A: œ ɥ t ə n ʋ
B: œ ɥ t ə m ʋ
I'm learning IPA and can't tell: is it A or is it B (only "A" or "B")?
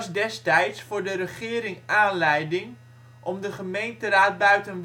A